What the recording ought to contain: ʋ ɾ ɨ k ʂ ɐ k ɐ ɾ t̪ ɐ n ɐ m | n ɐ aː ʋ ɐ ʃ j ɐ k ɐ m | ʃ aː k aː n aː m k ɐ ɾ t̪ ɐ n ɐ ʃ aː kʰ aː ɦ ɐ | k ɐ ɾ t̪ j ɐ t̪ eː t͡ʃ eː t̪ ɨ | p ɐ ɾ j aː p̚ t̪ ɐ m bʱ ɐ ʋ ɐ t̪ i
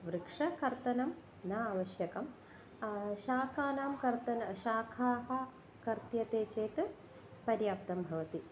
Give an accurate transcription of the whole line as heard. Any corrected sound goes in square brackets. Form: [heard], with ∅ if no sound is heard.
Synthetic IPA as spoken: ʋ ɾ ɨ k ʂ ɐ k ɐ ɾ t̪ ɐ n ɐ m | n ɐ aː ʋ ɐ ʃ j ɐ k ɐ m | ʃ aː k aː n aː m k ɐ ɾ t̪ ɐ n ɐ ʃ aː kʰ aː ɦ ɐ | k ɐ ɾ t̪ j ɐ t̪ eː t͡ʃ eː t̪ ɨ | p ɐ ɾ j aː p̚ t̪ ɐ m bʱ ɐ ʋ ɐ t̪ i